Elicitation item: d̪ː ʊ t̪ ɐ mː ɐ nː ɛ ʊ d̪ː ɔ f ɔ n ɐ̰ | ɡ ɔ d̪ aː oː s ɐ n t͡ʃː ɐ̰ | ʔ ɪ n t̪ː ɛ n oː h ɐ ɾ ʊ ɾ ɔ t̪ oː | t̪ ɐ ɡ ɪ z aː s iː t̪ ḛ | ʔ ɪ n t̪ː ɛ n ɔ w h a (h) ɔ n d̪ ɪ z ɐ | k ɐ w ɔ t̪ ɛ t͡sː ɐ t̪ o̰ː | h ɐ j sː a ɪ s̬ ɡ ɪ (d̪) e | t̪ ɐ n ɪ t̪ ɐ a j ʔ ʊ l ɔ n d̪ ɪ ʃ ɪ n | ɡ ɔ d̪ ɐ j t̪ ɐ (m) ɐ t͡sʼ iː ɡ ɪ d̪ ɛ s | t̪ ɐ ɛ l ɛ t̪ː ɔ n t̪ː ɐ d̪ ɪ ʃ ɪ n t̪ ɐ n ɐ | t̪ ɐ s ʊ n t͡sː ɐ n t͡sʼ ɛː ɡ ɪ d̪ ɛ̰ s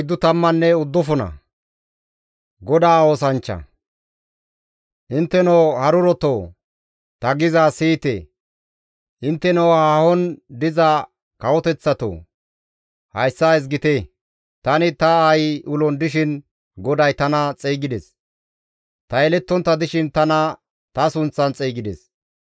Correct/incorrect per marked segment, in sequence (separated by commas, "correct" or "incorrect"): correct, incorrect, incorrect